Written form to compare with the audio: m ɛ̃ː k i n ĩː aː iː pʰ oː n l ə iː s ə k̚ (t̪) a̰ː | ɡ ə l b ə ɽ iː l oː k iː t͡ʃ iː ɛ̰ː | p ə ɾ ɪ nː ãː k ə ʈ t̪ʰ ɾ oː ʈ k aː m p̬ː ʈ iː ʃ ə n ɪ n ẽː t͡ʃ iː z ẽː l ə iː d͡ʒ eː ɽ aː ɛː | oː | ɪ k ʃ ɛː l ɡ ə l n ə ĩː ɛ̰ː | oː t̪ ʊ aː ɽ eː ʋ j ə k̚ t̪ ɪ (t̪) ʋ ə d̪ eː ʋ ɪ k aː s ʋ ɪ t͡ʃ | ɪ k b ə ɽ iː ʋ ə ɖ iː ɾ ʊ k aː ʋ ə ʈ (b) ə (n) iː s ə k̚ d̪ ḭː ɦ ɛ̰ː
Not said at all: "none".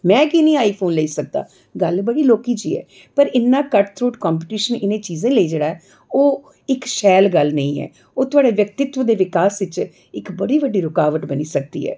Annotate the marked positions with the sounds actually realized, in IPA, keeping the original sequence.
d̪, t̪, b, n

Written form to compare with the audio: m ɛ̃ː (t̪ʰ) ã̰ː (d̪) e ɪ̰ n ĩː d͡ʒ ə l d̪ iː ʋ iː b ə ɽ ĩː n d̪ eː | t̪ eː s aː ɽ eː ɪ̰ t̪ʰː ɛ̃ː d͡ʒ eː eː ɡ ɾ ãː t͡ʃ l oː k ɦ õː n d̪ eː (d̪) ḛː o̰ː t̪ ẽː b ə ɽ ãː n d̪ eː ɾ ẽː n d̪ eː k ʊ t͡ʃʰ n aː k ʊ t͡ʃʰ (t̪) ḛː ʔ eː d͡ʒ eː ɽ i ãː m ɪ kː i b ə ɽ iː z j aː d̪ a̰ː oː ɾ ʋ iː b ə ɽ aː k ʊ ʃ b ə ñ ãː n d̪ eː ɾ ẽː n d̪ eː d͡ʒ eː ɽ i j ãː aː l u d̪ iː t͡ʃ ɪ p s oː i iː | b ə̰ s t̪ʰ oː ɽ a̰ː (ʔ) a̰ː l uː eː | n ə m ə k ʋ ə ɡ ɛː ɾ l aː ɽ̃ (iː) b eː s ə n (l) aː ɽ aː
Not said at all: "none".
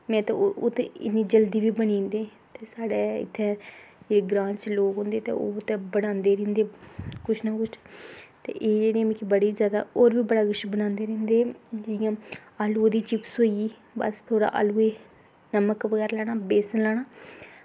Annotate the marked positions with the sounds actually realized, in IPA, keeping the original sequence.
t̪, t̪, t̪, t̪, ʔ, aː, l

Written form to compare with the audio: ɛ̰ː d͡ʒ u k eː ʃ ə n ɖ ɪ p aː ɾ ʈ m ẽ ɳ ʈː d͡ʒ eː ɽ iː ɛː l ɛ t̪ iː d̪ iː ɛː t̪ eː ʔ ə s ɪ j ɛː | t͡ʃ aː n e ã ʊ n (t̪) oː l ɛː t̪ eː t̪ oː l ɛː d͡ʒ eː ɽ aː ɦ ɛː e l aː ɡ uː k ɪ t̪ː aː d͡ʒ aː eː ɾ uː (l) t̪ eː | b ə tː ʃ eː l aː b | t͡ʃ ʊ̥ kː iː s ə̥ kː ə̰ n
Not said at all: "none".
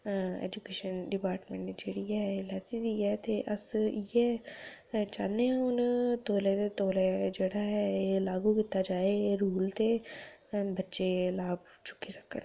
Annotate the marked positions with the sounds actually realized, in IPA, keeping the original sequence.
t̪, l

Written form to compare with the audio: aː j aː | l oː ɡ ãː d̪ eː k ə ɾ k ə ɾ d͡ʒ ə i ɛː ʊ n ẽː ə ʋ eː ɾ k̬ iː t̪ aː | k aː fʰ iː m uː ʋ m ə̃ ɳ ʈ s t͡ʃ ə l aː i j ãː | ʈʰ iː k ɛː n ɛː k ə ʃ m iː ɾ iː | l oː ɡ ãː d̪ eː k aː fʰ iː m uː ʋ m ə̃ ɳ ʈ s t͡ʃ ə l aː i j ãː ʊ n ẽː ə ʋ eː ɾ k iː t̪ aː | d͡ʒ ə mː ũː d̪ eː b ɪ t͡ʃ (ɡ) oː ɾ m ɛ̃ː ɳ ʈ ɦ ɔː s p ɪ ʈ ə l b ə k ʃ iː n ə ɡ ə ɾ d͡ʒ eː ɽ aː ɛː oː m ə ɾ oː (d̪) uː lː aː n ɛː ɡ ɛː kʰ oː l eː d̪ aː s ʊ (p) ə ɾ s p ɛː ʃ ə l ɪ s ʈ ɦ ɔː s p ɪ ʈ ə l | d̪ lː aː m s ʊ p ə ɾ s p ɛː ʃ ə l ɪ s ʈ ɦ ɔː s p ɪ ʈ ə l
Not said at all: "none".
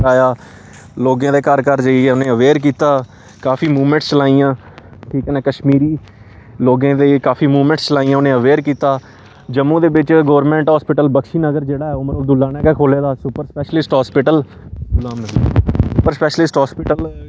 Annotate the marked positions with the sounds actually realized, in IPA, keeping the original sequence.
ɡ, d̪, p

